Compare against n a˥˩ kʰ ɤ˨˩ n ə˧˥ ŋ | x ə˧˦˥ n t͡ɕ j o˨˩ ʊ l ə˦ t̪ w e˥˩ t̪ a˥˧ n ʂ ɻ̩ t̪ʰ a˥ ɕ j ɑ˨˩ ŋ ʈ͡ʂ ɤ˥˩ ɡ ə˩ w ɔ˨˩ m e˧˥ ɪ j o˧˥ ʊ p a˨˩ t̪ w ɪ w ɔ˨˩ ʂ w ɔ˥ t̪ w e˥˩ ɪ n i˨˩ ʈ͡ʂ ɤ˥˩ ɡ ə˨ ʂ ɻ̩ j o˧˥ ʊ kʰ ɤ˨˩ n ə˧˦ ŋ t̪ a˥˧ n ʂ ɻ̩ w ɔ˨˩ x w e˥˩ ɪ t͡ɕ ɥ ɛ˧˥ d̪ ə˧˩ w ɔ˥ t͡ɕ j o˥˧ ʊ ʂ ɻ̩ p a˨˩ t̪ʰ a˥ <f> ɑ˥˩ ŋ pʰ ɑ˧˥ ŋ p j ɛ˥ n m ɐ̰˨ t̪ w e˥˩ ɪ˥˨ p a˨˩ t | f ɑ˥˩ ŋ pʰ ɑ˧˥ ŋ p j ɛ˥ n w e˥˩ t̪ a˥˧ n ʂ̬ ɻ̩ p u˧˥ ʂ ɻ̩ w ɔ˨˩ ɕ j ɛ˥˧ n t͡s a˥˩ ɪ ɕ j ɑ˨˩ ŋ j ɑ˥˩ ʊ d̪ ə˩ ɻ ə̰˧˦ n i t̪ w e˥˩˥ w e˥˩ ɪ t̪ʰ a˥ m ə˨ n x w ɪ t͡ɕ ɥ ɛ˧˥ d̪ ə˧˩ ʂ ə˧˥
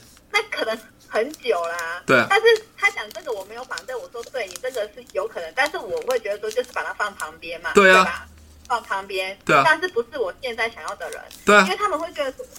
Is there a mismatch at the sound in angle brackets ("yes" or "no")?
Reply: no